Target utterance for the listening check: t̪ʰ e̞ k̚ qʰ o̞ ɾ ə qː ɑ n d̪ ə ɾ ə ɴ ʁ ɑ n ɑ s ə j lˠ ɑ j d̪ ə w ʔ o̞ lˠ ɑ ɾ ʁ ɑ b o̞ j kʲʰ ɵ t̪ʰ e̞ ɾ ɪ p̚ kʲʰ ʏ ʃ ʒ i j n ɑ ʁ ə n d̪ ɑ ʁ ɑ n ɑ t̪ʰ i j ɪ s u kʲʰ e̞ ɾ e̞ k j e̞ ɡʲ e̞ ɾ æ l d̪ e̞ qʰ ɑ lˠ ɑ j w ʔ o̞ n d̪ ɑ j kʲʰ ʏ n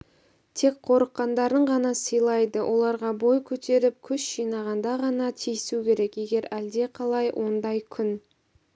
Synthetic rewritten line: t̪ʰ e̞ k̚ qʰ o̞ ɾ ə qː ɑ n d̪ ɑ ɾ ə ɴ ʁ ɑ n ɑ s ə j lˠ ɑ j d̪ ə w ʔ o̞ lˠ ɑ ɾ ʁ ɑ b o̞ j kʲʰ ɵ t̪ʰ e̞ ɾ ɪ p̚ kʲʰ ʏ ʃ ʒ i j n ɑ ʁ ɑ n d̪ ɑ ʁ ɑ n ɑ t̪ʰ i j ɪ s u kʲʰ e̞ ɾ e̞ k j e̞ ɡʲ e̞ ɾ æ l d̪ e̞ qʰ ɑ lˠ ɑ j w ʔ o̞ n d̪ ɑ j kʲʰ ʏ n